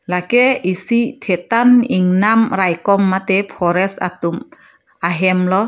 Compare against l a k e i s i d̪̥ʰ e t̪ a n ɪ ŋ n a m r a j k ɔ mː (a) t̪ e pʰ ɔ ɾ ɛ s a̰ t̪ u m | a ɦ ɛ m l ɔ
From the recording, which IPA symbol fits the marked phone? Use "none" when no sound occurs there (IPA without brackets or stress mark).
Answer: a